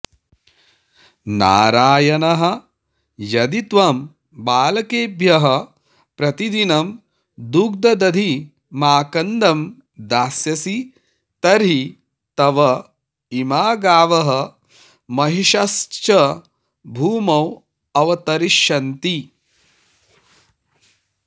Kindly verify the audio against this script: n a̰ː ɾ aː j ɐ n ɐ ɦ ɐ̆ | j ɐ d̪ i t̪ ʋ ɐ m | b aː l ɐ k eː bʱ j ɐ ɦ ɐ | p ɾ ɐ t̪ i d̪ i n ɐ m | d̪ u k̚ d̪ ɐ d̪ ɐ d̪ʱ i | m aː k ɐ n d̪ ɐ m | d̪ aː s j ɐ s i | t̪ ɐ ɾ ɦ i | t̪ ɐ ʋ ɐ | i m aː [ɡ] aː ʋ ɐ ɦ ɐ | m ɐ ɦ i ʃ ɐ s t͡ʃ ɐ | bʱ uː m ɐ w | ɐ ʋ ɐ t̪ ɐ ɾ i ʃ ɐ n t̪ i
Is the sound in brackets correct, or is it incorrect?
correct